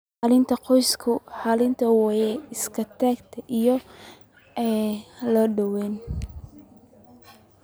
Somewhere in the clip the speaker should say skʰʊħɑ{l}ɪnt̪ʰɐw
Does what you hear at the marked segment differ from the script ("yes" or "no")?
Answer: no